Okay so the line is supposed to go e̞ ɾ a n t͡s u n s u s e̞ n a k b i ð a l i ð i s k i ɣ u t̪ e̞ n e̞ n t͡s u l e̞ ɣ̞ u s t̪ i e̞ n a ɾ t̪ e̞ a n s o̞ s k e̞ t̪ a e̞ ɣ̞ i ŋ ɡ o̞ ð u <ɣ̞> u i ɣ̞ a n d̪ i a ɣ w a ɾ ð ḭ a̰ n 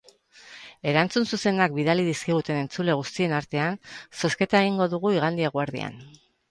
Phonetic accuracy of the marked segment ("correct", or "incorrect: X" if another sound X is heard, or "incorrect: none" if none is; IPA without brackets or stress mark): correct